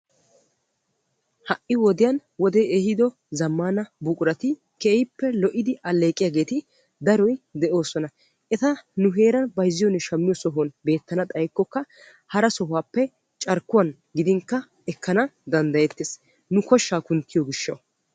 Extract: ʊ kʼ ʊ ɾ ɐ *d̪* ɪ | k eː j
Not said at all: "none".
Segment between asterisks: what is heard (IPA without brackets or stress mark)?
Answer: t̪